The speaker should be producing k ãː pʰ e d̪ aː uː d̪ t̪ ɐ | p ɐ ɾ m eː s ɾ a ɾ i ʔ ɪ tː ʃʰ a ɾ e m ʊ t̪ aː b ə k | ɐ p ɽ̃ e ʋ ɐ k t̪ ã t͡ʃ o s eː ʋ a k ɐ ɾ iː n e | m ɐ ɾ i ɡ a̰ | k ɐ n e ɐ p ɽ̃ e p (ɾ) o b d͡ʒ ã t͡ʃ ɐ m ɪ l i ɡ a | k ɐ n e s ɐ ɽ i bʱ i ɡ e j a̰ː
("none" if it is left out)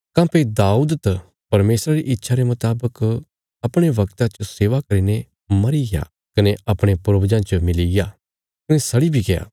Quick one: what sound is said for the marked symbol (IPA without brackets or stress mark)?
ɾ